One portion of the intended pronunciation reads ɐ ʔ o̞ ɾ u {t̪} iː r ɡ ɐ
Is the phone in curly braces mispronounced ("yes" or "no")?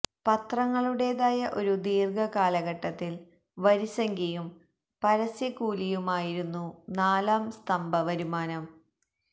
yes